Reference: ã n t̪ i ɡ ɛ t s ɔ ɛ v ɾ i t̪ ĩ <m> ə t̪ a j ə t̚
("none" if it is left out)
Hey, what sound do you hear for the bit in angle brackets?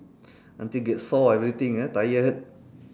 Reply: ŋ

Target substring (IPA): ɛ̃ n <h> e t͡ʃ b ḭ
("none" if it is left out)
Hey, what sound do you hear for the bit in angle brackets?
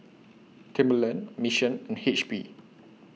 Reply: h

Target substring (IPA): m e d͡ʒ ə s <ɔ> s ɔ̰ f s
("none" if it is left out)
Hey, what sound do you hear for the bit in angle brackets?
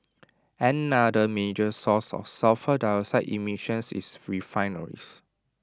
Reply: ɔ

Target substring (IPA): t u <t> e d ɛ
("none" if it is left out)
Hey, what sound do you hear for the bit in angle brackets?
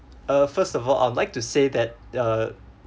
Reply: s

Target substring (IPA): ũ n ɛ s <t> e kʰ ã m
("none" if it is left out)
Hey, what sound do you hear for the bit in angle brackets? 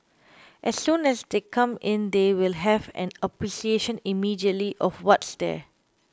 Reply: d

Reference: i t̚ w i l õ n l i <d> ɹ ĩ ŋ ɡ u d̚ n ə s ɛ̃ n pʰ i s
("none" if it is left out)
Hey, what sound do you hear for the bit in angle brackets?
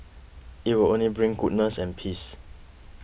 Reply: b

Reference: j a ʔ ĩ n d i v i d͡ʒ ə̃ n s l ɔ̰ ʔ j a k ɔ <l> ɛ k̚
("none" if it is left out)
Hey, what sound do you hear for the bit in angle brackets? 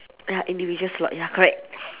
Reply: ɹ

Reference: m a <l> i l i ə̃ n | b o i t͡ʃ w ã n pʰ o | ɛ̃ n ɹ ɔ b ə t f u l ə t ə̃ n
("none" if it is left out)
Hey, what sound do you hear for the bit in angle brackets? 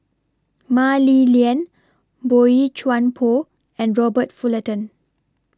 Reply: l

